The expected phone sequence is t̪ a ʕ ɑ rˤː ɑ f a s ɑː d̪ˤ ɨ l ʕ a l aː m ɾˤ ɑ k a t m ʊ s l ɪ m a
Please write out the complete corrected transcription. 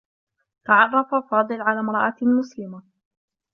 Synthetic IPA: t̪ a ʕ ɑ rˤː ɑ f a f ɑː d̪ˤ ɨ l ʕ a l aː m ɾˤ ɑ ʔ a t m ʊ s l ɪ m a